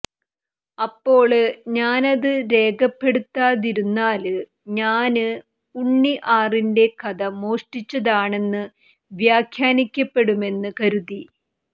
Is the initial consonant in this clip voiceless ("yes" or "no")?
yes